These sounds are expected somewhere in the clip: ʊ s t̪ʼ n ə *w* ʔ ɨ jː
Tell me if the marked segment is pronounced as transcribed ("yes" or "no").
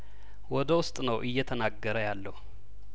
yes